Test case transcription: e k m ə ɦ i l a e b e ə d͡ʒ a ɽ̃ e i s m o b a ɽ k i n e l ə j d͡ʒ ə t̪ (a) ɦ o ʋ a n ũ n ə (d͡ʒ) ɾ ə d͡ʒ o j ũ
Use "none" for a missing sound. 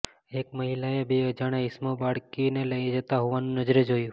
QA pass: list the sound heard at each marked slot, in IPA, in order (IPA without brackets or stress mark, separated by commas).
a, d͡ʒ